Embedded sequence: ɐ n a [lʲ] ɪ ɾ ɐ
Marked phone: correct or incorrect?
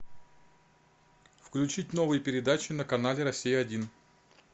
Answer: correct